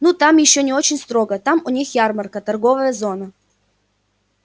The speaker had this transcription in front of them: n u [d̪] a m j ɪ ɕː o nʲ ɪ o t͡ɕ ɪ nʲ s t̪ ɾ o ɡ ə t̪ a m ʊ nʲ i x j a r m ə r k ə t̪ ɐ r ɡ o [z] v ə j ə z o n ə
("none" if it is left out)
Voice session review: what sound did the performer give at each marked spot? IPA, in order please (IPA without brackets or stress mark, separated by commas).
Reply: t̪, none